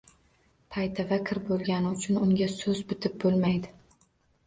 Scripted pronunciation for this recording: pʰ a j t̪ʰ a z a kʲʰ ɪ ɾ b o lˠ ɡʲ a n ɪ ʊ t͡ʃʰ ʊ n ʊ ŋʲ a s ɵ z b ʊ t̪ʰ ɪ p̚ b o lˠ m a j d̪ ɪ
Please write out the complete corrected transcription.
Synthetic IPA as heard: pʰ a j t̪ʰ a v a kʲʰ ɪ ɾ b o lˠ ɡʲ a n ɪ ʊ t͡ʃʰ ʊ n ʊ ŋʲ a s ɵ z b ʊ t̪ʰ ɪ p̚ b o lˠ m a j d̪ ɪ

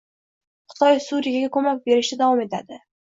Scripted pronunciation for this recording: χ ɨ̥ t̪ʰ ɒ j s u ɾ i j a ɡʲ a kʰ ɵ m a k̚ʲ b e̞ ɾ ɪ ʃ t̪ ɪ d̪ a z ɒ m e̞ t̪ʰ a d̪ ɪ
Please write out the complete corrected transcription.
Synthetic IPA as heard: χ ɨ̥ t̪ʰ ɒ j s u ɾ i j a ɡʲ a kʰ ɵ m a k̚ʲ b e̞ ɾ ɪ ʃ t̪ ɪ d̪ a v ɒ m e̞ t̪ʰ a d̪ ɪ

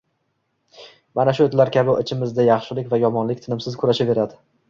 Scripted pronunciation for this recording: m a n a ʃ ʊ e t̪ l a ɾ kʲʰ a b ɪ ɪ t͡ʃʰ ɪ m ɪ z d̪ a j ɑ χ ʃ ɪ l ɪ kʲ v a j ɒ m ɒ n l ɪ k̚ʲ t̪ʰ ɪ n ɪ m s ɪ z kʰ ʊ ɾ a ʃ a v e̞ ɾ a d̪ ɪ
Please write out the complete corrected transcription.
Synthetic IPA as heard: m a n a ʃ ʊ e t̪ l a ɾ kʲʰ a b ɪ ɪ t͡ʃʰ ɪ m ɪ z d̪ a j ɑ χ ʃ ɪ l ɪ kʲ v a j ɒ m ɒ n l ɪ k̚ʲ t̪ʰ ɪ n ɪ m s ɪ z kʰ ʊ ɾ a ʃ a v e̞ ɾ a d̪ ɪ

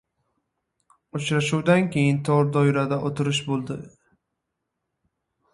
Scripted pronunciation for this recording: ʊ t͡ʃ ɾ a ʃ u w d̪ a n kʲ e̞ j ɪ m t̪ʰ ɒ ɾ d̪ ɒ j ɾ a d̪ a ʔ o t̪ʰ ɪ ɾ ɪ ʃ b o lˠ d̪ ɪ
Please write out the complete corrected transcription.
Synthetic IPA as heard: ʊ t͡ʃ ɾ a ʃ u w d̪ a n kʲ e̞ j ɪ n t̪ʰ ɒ ɾ d̪ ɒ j ɾ a d̪ a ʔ o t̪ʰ ɪ ɾ ɪ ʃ b o lˠ d̪ ɪ

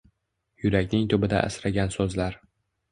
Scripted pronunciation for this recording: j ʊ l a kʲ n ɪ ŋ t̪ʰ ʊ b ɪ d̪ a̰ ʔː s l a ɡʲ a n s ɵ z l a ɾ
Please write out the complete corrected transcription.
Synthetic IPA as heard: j ʊ ɾ a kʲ n ɪ ŋ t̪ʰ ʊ b ɪ d̪ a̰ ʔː s ɾ a ɡʲ a n s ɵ z l a ɾ

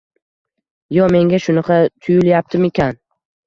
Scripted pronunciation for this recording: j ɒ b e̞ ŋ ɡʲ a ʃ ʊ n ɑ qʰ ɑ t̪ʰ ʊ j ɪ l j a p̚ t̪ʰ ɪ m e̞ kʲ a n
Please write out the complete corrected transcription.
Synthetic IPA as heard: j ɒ m e̞ ŋ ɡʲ a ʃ ʊ n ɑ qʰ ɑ t̪ʰ ʊ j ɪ l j a p̚ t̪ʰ ɪ m e̞ kʲ a n

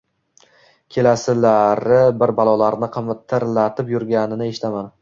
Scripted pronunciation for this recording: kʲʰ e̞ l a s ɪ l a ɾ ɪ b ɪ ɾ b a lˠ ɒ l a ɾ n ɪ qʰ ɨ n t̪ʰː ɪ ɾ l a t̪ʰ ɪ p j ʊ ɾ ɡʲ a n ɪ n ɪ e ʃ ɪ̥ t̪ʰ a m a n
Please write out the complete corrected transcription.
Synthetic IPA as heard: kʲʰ e̞ l a s ɪ l a ɾ ɪ b ɪ ɾ b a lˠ ɒ l a ɾ n ɪ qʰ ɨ m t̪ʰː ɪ ɾ l a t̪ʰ ɪ p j ʊ ɾ ɡʲ a n ɪ n ɪ e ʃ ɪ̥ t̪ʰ a m a n

